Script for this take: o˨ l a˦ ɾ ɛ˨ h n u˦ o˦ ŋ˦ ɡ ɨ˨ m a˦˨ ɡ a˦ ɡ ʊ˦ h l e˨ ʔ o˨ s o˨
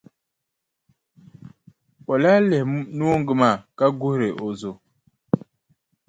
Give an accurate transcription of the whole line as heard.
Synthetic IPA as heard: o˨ l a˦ l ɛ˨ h n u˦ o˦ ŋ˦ ɡ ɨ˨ m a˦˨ k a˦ ɡ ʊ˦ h ɾ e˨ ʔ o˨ z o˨